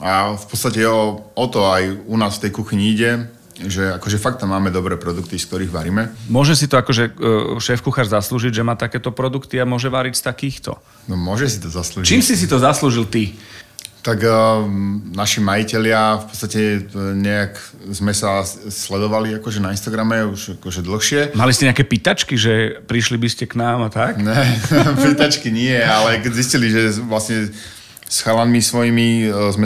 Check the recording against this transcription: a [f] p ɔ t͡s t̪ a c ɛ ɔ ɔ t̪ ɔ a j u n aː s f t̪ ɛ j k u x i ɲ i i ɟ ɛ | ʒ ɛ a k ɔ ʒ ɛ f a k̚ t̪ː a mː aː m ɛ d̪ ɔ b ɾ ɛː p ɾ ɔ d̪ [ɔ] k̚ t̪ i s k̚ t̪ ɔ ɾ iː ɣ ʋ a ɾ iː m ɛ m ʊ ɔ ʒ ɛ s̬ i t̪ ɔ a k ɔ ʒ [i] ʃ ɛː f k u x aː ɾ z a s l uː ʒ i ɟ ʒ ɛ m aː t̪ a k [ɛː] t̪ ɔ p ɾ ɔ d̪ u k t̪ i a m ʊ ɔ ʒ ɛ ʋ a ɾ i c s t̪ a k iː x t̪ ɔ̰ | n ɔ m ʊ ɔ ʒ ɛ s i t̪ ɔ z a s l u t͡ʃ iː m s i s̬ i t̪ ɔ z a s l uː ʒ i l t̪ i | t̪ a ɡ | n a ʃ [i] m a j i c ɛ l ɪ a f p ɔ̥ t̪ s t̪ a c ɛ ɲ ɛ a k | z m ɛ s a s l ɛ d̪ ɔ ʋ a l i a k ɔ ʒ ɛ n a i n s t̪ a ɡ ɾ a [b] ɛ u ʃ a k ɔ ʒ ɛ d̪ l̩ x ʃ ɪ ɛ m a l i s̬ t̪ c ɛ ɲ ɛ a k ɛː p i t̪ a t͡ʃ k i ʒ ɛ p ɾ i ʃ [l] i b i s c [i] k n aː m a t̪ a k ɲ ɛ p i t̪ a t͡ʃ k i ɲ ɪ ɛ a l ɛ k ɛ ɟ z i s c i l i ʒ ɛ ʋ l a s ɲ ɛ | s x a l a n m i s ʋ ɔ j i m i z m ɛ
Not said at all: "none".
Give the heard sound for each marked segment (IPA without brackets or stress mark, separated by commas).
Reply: f, u, ɛ, ɛː, i, m, l, ɛ